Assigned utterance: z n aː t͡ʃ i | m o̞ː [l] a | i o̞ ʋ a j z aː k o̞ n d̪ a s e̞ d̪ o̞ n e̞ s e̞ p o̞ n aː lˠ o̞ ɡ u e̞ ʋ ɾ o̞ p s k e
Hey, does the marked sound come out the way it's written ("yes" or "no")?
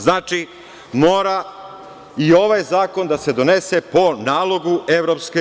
no